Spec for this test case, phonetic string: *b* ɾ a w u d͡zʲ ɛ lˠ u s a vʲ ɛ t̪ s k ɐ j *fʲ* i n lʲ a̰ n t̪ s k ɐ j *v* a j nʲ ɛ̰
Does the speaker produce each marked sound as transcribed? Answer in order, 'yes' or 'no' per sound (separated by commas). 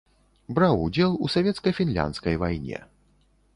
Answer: yes, yes, yes